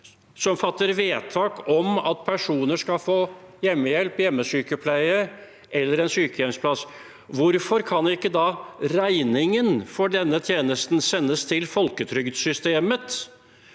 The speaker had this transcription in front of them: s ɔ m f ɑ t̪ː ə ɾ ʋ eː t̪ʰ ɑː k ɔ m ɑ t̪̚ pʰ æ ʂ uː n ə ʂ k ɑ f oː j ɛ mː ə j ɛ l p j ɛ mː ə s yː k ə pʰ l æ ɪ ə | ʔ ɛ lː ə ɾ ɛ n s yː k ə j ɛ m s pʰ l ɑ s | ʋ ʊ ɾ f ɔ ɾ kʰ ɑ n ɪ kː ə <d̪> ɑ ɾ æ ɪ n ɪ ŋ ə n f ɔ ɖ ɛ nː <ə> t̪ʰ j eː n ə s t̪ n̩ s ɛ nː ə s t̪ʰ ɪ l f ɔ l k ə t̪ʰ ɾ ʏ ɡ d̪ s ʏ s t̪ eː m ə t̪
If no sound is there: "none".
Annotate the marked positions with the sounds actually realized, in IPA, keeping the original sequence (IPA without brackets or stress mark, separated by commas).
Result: d̪, ə